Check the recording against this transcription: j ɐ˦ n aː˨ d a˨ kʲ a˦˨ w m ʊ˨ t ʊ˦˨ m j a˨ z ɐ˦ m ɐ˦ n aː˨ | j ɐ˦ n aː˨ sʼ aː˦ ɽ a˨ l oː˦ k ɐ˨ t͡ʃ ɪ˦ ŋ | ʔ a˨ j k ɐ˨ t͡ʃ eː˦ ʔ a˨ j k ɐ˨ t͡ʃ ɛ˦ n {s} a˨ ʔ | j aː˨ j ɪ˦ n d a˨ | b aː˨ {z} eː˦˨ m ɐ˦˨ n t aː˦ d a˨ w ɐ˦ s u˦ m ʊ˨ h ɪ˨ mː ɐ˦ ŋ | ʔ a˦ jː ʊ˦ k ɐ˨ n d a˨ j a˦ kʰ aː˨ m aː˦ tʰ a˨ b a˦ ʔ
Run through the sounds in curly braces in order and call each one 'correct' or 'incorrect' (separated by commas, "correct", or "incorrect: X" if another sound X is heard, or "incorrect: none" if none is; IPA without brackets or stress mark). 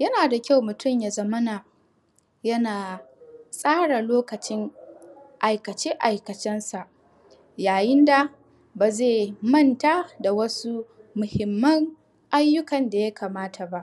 correct, correct